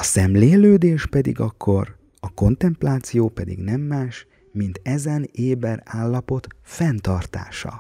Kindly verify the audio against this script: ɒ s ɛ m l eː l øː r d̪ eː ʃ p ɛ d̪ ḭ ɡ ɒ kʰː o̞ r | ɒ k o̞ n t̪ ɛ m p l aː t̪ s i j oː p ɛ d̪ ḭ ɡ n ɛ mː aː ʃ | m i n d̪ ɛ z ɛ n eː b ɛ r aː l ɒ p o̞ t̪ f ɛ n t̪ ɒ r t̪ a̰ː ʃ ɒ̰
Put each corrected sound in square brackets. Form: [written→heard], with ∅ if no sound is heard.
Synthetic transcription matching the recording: ɒ s ɛ m l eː l øː [r→∅] d̪ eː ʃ p ɛ d̪ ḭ ɡ ɒ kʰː o̞ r | ɒ k o̞ n t̪ ɛ m p l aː t̪ s i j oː p ɛ d̪ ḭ ɡ n ɛ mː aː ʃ | m i n [d̪→t̪] ɛ z ɛ n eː b ɛ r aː [l→lː] ɒ p o̞ t̪ f ɛ n t̪ ɒ r t̪ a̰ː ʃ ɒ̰